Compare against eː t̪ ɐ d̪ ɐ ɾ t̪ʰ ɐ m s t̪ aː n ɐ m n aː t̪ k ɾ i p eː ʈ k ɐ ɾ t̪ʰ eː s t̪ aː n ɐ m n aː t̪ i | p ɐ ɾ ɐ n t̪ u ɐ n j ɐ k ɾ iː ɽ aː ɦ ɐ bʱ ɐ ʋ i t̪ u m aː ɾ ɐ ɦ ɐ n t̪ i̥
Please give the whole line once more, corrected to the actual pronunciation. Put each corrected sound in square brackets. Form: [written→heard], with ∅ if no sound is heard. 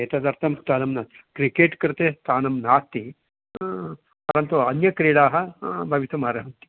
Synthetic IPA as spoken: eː t̪ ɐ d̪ ɐ ɾ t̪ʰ ɐ m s t̪ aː n ɐ m n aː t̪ k ɾ i [p→k] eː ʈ k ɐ ɾ [t̪ʰ→t̪] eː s t̪ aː n ɐ m n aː t̪ i | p ɐ ɾ ɐ n t̪ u ɐ n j ɐ k ɾ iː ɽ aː ɦ ɐ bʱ ɐ ʋ i t̪ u m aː ɾ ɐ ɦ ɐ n t̪ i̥